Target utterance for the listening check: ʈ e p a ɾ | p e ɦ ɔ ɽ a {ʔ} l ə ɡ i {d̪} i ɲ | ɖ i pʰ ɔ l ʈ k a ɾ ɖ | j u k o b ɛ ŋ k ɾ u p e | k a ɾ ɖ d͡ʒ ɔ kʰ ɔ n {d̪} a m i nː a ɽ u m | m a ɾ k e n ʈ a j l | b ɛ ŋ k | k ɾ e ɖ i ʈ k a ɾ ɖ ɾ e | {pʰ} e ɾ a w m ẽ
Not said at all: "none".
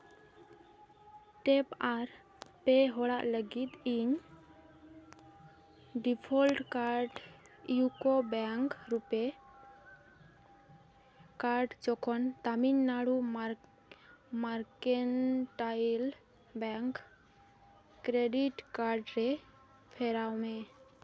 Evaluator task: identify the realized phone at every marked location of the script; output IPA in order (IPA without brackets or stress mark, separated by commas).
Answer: ʔ, t̪, t̪, pʰ